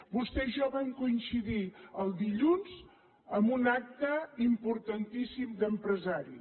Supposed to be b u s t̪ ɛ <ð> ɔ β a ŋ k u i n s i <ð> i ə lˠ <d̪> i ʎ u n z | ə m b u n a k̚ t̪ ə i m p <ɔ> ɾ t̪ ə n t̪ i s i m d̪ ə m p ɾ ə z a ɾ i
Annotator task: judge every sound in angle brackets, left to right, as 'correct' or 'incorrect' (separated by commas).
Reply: incorrect, correct, correct, incorrect